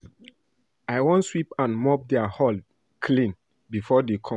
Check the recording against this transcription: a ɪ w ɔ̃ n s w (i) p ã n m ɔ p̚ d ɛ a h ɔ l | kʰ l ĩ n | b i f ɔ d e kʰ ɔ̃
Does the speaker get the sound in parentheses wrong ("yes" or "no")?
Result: no